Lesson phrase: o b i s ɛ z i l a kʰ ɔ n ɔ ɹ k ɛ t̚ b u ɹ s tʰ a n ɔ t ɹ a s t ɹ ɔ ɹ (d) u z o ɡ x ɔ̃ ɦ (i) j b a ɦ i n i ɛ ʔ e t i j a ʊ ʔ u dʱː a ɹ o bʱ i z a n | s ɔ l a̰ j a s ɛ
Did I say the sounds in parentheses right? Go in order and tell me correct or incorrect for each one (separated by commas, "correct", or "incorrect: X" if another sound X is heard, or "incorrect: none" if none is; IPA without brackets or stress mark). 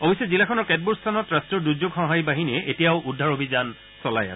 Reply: correct, incorrect: a